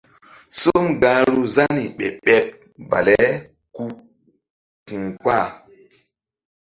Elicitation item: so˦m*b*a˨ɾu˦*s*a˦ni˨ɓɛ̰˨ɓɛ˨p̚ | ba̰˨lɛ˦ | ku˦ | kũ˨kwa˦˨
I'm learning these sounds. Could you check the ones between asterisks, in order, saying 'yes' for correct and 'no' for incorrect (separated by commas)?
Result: no, no